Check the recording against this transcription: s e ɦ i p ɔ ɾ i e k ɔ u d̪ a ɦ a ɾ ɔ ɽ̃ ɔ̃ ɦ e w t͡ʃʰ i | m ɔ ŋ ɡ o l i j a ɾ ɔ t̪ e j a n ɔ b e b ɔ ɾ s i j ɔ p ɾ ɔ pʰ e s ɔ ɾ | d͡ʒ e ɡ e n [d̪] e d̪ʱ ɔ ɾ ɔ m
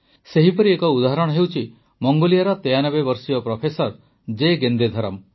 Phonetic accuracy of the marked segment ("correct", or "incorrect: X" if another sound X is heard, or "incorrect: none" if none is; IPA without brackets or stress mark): correct